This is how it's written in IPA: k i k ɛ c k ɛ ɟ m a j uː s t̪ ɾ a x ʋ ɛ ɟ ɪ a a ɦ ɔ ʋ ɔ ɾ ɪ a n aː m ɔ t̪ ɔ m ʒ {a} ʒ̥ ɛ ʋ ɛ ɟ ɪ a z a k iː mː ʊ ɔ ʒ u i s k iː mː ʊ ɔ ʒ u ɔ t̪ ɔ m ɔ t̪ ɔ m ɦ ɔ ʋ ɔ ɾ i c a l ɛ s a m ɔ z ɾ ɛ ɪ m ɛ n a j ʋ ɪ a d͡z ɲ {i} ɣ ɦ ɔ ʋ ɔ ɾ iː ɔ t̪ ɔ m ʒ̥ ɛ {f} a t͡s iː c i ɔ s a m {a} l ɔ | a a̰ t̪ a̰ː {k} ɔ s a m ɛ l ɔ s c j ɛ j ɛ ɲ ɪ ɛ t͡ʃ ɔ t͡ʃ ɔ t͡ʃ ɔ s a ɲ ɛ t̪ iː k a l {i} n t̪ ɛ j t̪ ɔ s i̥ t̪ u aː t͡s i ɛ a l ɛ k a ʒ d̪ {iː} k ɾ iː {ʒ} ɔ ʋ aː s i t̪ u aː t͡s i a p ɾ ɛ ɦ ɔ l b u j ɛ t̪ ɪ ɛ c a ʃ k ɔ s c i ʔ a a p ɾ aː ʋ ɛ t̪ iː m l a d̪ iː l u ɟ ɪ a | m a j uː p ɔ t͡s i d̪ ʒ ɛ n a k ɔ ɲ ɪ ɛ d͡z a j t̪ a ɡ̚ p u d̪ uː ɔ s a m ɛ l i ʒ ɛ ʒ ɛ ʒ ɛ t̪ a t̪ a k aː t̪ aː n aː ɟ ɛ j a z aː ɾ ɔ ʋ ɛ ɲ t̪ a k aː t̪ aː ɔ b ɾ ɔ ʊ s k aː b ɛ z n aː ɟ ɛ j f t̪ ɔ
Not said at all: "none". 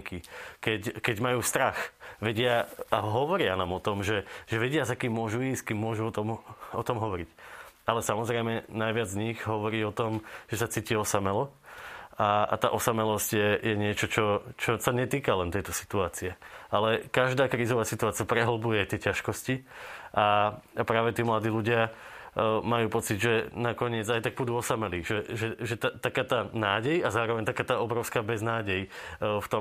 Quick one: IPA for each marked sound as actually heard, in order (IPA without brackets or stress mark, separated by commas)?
ɛ, i, s, ɛ, ʔ, ɛ, aː, z